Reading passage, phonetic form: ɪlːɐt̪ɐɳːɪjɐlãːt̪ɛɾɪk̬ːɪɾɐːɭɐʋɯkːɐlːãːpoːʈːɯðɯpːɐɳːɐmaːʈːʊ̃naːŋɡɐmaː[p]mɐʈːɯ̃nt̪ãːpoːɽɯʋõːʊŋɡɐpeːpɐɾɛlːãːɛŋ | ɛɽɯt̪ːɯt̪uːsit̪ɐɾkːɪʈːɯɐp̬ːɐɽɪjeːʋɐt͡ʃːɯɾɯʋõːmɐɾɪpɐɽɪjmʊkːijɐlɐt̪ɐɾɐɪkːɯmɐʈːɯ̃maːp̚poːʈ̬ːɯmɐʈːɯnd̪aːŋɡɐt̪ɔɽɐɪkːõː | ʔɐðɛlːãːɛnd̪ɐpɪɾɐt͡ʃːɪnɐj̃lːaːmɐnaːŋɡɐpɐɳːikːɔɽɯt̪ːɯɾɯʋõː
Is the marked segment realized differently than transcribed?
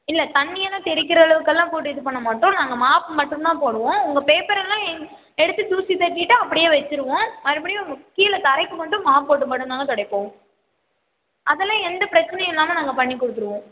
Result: no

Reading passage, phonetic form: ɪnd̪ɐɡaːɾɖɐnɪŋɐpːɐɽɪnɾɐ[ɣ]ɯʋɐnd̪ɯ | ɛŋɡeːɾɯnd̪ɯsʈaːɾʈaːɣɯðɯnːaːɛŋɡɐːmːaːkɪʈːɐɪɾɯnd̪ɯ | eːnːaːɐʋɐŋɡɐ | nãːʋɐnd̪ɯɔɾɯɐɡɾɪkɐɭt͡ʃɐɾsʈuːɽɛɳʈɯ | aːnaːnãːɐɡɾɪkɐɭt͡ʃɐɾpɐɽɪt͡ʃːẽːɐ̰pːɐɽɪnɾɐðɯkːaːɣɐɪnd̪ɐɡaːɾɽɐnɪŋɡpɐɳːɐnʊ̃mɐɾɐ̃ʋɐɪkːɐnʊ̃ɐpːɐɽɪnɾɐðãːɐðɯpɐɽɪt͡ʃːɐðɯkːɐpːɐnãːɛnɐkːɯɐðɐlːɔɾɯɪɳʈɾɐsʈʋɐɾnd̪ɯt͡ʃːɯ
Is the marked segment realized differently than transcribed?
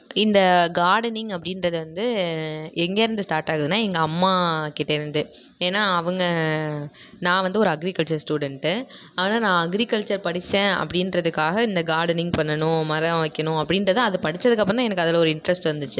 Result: yes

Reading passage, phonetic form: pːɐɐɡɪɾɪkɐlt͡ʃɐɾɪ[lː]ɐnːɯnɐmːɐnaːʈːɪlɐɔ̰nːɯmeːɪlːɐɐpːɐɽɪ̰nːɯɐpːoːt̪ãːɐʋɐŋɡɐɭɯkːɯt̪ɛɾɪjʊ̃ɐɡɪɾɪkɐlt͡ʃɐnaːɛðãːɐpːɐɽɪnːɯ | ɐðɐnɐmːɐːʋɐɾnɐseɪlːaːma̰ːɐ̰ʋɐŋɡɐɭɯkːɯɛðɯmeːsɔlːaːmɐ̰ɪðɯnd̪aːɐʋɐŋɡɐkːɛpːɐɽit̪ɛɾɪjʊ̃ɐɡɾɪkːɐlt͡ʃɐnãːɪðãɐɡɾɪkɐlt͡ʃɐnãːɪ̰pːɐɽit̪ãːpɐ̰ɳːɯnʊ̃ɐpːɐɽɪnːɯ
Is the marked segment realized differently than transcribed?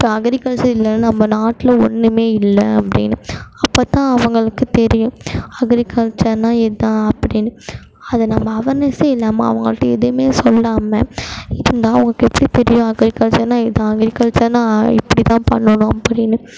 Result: no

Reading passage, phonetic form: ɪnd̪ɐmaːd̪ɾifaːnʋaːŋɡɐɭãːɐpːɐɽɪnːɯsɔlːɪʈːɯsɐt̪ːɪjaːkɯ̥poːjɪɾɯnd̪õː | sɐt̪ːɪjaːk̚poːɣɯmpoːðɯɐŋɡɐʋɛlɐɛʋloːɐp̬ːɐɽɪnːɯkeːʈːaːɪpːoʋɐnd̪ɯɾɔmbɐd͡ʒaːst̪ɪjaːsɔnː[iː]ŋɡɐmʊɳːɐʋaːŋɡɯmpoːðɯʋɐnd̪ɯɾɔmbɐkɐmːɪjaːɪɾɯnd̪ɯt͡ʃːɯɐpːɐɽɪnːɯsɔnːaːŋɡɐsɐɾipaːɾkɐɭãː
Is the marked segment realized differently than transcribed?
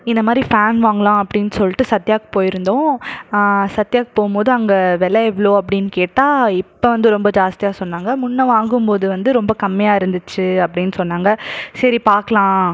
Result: yes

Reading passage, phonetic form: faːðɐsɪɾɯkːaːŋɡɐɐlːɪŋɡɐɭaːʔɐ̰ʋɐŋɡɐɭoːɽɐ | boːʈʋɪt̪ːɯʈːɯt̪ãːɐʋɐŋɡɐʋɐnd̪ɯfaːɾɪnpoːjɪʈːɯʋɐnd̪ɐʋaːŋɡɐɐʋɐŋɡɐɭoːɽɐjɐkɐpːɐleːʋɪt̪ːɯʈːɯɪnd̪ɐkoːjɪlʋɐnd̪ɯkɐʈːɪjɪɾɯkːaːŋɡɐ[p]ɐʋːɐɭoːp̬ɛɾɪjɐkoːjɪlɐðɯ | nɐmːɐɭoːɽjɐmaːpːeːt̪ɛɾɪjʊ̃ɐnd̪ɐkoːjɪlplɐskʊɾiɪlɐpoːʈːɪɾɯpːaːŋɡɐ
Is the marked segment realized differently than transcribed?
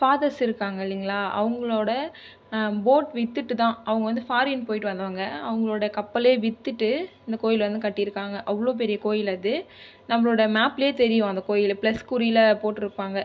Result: yes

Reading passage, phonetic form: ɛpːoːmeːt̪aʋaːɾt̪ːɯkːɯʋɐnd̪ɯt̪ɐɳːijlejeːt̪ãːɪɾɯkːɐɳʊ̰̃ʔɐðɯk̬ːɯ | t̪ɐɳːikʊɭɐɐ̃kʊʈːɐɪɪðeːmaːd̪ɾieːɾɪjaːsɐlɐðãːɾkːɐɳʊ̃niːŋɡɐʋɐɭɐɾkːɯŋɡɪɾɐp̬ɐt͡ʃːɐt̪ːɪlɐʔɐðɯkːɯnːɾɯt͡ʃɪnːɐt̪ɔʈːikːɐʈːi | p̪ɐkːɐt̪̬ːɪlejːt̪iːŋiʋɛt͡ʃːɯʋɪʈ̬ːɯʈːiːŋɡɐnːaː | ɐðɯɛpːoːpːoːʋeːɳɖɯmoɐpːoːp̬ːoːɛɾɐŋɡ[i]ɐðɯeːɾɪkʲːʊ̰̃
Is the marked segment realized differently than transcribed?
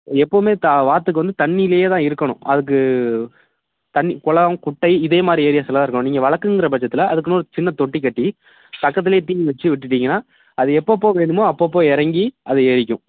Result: no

